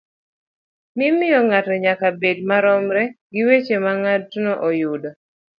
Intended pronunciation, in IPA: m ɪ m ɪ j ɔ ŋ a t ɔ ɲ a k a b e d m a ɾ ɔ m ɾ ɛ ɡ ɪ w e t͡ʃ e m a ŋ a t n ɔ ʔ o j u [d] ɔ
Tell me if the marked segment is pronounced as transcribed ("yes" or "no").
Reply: yes